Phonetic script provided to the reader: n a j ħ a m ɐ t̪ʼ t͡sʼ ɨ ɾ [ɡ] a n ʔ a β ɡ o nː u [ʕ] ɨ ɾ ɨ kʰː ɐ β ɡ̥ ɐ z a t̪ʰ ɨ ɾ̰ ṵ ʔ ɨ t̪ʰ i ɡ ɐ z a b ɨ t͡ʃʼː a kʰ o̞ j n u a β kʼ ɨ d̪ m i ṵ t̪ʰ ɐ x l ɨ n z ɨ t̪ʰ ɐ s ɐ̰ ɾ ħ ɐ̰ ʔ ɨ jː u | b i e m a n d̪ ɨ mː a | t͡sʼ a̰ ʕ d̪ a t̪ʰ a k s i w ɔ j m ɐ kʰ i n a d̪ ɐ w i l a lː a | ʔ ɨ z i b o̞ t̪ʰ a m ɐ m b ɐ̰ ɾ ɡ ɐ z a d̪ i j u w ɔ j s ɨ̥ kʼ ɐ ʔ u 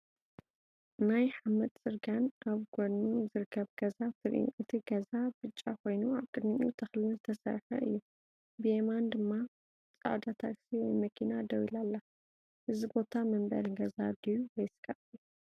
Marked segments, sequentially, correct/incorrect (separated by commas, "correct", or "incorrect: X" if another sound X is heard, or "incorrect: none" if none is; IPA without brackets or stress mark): correct, incorrect: z